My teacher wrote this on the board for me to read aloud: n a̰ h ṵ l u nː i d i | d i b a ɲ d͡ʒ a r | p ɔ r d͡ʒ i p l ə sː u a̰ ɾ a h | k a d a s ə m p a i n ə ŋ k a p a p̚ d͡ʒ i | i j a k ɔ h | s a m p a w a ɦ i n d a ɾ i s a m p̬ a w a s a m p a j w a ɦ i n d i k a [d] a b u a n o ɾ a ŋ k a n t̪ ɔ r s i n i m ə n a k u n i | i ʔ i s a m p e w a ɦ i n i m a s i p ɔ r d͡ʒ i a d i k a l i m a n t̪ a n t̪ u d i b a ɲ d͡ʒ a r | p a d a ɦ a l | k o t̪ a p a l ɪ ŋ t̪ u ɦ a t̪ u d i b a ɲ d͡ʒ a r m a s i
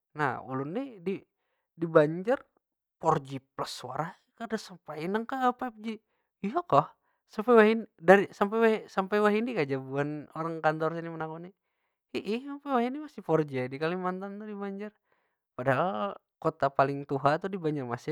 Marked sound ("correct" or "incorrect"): incorrect